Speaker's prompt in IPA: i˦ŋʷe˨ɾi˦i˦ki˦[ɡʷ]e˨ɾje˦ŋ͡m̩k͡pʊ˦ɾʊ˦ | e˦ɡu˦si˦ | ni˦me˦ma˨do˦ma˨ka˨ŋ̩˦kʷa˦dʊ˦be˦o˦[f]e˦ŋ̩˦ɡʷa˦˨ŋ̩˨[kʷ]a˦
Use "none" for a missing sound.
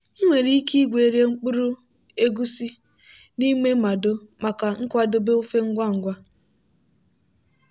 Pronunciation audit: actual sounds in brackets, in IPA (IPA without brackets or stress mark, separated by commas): ɡʷ, f, ɡʷ